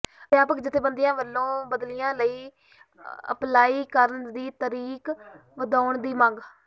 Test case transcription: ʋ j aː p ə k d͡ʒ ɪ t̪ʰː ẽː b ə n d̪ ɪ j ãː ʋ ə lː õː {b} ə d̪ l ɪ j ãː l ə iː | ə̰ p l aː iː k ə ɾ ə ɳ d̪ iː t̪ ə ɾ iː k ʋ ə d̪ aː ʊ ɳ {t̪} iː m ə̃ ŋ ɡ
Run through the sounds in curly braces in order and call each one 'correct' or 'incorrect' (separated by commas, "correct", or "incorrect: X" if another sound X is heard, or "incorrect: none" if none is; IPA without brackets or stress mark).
correct, incorrect: d̪